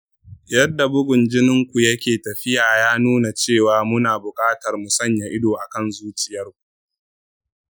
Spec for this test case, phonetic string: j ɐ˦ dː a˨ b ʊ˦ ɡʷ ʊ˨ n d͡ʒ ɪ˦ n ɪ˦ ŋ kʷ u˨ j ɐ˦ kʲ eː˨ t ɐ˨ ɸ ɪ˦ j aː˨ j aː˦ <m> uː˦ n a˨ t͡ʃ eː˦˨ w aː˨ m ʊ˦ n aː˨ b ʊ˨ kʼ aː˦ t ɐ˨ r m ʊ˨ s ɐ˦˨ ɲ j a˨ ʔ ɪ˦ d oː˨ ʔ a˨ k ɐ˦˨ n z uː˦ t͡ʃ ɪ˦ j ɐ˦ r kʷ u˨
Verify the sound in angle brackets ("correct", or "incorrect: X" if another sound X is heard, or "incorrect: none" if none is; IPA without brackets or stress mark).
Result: incorrect: n